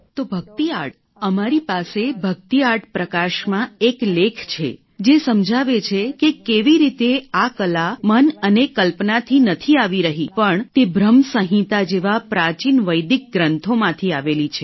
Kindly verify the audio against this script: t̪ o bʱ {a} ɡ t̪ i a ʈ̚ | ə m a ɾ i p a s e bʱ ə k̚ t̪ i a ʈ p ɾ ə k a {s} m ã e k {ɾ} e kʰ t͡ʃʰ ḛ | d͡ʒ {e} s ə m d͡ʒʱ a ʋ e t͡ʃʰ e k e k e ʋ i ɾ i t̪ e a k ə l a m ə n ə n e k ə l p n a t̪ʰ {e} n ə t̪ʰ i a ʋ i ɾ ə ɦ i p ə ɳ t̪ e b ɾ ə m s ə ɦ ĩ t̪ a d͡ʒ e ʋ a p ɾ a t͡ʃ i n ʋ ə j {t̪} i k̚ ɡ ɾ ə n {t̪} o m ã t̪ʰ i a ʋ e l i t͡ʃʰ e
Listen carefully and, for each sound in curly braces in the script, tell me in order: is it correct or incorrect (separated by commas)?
incorrect, incorrect, incorrect, correct, incorrect, incorrect, incorrect